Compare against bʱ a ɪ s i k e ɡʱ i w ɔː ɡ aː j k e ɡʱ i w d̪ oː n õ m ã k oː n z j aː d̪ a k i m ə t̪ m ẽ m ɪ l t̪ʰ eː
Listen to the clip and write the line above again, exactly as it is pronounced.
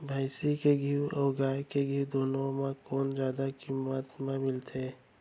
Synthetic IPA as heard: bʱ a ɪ s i k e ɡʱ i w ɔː ɡ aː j k e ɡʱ i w d̪ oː n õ m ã k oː n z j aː d̪ a k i m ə t̪ m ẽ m ɪ l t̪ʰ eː